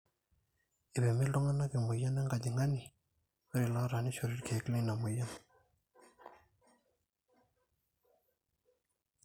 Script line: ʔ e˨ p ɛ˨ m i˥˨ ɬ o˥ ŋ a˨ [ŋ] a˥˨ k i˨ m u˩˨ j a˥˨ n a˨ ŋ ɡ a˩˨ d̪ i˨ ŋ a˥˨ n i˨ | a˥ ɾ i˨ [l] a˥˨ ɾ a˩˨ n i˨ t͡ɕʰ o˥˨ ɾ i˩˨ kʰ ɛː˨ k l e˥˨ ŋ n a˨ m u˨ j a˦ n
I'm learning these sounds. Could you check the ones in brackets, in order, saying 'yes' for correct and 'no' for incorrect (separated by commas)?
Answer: no, yes